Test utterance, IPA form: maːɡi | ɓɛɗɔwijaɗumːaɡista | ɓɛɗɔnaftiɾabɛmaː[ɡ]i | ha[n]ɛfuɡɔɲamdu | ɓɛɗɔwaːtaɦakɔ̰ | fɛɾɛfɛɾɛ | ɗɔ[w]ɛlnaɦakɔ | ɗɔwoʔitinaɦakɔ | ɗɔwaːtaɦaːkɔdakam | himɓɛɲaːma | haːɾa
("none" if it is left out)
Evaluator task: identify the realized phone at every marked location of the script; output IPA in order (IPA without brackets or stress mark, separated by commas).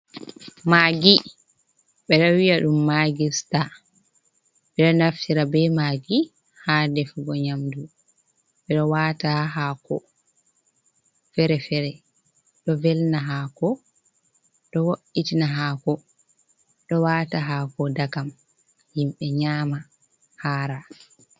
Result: ɡ, d, v